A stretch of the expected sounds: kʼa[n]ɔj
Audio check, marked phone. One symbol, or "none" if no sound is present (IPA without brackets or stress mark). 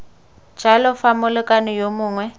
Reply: n